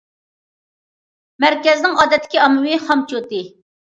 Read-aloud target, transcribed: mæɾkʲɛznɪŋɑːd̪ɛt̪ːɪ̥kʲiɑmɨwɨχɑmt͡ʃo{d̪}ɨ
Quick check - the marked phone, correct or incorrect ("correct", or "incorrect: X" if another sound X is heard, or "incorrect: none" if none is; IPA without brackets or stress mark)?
incorrect: t̪